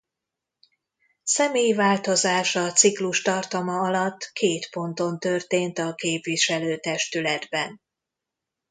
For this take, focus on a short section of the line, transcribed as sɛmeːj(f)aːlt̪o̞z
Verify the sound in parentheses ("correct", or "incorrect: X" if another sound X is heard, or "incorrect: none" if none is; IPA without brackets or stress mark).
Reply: incorrect: v